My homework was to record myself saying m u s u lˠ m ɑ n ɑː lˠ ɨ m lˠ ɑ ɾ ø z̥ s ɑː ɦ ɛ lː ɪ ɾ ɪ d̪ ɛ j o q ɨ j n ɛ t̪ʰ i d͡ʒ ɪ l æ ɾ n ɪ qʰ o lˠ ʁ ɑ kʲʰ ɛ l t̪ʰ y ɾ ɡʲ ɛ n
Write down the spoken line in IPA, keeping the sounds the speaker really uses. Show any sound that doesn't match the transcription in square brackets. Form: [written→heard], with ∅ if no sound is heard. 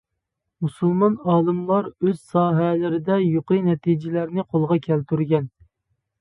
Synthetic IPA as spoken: m u s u lˠ m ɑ n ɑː lˠ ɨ m lˠ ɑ ɾ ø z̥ s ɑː ɦ ɛ [lː→l] ɪ ɾ ɪ d̪ ɛ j o q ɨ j n ɛ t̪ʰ i d͡ʒ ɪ l æ ɾ n ɪ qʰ o lˠ ʁ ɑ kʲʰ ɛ l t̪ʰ y ɾ ɡʲ ɛ n

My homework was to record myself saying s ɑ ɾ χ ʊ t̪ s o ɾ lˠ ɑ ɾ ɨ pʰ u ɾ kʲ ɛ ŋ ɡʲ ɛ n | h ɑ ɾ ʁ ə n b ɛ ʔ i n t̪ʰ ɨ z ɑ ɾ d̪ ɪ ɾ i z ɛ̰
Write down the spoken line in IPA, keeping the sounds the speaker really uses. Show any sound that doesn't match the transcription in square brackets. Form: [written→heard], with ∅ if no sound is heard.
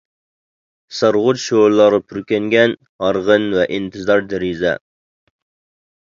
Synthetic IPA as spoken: s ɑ ɾ [χ→ʁ] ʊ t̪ [s→ʃ] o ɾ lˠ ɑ ɾ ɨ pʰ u ɾ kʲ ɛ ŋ ɡʲ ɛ n | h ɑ ɾ ʁ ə n [b→v] ɛ ʔ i n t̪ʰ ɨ z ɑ ɾ d̪ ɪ ɾ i z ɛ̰

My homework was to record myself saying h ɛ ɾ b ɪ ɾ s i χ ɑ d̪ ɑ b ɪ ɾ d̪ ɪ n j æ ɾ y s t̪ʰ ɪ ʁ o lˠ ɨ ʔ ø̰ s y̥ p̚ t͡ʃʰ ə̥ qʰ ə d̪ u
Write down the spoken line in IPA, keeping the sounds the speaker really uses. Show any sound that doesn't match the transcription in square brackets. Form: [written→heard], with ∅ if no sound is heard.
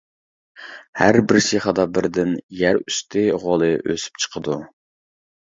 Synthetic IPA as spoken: h [ɛ→æ] ɾ b ɪ ɾ s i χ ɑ d̪ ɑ b ɪ ɾ d̪ ɪ n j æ ɾ y s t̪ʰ ɪ ʁ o lˠ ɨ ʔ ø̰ s y̥ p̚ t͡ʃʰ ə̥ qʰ ə d̪ u

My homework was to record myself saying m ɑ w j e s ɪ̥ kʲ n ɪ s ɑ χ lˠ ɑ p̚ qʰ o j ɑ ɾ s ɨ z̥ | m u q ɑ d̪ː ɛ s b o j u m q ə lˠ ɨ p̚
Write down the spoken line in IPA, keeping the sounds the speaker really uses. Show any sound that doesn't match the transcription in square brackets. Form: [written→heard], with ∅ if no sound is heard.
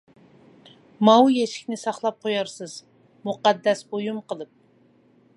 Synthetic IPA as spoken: m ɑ w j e [s→ʃ] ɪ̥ kʲ n ɪ s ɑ χ lˠ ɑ p̚ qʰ o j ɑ ɾ s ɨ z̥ | m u q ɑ d̪ː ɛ s b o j u m q ə lˠ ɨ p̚

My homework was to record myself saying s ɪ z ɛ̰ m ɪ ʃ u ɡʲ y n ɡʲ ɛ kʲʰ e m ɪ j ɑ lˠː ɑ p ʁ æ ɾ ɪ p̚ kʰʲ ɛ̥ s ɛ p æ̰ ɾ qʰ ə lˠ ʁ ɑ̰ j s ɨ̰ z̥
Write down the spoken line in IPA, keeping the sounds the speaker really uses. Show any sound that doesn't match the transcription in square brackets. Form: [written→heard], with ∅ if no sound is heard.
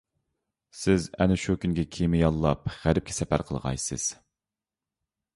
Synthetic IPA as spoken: s ɪ z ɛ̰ [m→n] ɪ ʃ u [ɡʲ→kʲ] y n ɡʲ ɛ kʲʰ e m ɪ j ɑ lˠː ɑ p ʁ æ ɾ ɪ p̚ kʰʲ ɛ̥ s ɛ p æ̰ ɾ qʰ ə lˠ ʁ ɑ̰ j s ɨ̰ z̥

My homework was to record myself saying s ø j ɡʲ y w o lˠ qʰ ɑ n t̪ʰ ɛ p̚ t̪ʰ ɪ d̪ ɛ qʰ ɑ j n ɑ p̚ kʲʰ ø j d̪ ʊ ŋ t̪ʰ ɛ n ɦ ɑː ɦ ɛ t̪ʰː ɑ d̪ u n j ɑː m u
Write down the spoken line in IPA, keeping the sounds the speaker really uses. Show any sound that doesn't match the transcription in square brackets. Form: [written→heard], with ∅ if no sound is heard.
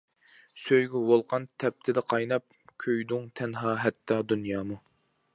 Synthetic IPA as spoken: s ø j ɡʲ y w o lˠ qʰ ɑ n t̪ʰ ɛ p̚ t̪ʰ ɪ d̪ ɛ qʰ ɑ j n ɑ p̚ kʲʰ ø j d̪ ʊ ŋ t̪ʰ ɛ n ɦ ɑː ɦ ɛ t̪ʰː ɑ d̪ u n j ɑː m u

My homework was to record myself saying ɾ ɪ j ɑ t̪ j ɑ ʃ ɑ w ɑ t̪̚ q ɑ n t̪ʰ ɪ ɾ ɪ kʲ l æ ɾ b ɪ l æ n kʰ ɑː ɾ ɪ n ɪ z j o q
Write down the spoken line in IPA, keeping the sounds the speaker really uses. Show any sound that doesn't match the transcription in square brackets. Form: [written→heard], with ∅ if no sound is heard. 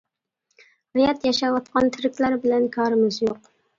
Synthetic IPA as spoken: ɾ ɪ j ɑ t̪ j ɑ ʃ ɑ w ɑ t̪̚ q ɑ n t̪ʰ ɪ ɾ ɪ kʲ l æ ɾ b ɪ l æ n kʰ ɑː ɾ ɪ [n→m] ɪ z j o q

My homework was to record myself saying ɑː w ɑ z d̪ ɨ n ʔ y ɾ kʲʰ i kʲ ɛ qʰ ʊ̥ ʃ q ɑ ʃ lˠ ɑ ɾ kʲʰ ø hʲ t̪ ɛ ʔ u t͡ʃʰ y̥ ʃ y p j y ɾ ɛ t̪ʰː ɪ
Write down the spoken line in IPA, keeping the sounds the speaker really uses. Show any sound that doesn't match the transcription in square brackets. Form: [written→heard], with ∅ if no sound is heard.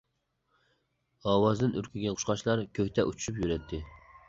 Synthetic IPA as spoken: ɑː w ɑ z d̪ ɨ n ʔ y ɾ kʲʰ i [kʲ→ɡʲ] ɛ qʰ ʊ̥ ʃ q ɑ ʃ lˠ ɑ ɾ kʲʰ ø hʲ t̪ ɛ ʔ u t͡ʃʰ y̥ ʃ y p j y ɾ ɛ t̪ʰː ɪ

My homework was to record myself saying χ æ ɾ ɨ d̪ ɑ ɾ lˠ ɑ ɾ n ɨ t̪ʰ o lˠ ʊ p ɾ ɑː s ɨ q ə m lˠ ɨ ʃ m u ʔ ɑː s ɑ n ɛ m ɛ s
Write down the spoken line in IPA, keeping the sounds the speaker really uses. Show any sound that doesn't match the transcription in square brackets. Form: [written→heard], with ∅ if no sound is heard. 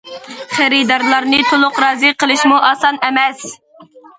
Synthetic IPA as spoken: χ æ ɾ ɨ d̪ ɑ ɾ lˠ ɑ ɾ n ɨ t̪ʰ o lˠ ʊ [p→q] ɾ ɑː [s→z] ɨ q ə [m→∅] lˠ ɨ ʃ m u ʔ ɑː s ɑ n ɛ m ɛ s

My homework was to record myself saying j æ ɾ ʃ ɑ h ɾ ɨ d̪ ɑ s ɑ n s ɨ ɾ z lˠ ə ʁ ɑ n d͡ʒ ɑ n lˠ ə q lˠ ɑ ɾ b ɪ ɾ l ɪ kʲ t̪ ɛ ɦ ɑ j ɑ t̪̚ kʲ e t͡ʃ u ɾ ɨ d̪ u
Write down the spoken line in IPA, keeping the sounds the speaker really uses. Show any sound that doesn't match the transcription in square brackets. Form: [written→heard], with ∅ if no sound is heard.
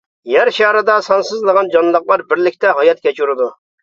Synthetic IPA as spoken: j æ ɾ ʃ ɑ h ɾ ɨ d̪ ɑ s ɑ n s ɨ [ɾ→∅] z lˠ ə ʁ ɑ n d͡ʒ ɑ n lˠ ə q lˠ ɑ ɾ b ɪ ɾ l ɪ kʲ t̪ ɛ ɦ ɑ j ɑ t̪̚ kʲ [e→ɛ] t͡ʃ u ɾ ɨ d̪ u

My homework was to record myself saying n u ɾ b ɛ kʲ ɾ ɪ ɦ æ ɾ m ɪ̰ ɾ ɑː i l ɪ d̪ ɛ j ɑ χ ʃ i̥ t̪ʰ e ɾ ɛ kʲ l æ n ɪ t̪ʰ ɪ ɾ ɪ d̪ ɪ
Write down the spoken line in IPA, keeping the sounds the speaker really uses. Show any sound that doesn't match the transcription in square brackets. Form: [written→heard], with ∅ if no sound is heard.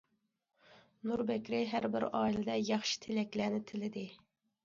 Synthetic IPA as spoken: n u ɾ b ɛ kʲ ɾ ɪ ɦ æ ɾ [m→b] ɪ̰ ɾ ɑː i l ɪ d̪ ɛ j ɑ χ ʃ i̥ t̪ʰ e [ɾ→l] ɛ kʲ l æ n ɪ t̪ʰ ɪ [ɾ→l] ɪ d̪ ɪ

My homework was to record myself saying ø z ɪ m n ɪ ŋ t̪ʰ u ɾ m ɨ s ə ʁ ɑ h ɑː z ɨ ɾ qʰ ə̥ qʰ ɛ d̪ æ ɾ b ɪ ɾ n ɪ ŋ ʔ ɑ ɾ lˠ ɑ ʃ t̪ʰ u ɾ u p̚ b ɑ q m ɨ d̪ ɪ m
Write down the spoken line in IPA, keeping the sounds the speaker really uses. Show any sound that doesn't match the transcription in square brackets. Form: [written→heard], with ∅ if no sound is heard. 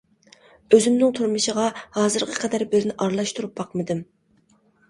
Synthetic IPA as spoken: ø z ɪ m n ɪ ŋ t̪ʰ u ɾ m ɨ [s→ʃ] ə ʁ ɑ h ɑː z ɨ ɾ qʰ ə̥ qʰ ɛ d̪ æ ɾ b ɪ ɾ n ɪ [ŋ→∅] ʔ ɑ ɾ lˠ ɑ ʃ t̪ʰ u ɾ u p̚ b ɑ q m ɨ d̪ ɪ m

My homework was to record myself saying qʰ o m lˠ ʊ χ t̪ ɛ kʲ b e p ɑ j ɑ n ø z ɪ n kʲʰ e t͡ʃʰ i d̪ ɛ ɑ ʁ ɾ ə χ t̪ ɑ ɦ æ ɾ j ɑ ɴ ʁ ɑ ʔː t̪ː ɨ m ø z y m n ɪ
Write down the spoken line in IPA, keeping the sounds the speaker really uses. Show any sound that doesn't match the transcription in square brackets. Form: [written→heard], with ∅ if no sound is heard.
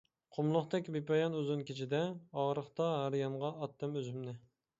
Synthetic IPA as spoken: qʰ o m lˠ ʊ χ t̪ ɛ kʲ b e p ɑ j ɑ n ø z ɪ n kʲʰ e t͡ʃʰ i d̪ ɛ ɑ ʁ ɾ ə χ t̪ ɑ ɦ æ ɾ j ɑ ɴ ʁ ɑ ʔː t̪ː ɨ m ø z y m n ɪ

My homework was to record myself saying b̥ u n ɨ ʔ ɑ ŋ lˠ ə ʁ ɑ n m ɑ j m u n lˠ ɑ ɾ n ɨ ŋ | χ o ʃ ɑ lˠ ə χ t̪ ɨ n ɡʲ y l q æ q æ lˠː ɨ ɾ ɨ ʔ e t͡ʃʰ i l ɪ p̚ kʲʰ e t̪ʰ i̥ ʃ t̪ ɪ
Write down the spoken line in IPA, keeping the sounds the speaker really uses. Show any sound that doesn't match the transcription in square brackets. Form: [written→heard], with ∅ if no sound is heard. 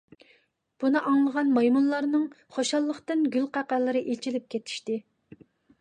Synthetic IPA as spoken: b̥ u n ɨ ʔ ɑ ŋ lˠ ə ʁ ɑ n m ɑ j m u n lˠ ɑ ɾ n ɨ ŋ | χ o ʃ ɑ [lˠ→lˠː] ə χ t̪ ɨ n ɡʲ y l q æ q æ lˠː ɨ ɾ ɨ ʔ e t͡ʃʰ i l ɪ p̚ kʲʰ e t̪ʰ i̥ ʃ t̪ ɪ

